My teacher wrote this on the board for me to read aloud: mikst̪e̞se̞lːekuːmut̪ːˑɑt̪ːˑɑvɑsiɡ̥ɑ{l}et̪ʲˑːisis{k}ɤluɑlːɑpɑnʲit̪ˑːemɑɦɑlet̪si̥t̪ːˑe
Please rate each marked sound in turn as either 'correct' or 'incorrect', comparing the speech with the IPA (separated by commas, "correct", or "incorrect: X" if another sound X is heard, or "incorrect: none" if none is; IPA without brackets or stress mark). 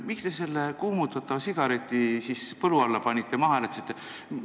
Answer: incorrect: ɾ, incorrect: p